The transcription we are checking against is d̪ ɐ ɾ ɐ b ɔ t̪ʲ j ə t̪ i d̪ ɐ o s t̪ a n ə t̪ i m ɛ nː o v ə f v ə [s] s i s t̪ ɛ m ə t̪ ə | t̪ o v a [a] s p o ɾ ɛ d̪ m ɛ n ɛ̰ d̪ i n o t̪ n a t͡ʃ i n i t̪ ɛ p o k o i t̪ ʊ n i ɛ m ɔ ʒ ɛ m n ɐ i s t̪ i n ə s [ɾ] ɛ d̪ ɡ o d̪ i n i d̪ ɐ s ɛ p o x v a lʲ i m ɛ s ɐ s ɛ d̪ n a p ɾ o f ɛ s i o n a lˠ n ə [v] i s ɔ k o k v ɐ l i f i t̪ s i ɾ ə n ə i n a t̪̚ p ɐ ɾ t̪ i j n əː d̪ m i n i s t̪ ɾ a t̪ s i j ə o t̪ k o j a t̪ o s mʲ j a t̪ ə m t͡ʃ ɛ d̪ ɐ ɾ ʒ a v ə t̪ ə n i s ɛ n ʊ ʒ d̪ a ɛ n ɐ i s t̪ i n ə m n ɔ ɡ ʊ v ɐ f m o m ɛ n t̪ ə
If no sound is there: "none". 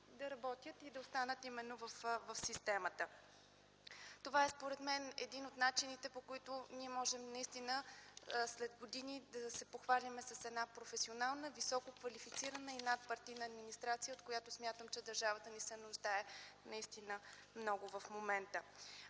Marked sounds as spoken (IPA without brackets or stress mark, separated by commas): f, ɛ, l, v